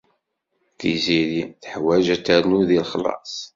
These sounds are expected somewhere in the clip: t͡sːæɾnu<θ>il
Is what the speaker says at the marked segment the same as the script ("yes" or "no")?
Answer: no